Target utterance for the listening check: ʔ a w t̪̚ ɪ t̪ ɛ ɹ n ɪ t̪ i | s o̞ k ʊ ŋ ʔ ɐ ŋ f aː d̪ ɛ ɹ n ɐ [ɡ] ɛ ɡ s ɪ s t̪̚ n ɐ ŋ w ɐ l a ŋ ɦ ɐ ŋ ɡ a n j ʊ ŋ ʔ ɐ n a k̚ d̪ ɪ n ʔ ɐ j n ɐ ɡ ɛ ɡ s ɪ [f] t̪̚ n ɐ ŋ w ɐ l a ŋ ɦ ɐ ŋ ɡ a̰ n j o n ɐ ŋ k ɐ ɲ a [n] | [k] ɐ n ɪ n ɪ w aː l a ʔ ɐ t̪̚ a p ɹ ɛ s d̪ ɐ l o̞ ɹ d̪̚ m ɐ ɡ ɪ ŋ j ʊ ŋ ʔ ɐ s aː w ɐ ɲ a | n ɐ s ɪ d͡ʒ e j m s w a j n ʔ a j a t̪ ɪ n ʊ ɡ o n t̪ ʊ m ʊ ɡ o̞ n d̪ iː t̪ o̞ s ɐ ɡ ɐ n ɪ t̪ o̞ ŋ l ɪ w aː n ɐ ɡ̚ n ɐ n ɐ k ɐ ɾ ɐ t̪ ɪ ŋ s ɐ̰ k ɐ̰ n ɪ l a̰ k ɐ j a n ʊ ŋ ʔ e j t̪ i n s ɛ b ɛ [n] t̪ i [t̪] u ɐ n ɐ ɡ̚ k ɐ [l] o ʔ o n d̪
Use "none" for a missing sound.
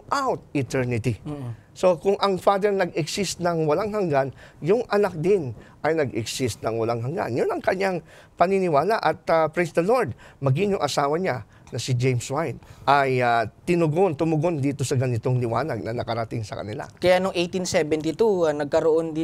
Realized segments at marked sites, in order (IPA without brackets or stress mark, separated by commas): ɡ, s, ŋ, p, n, t̪, ɾ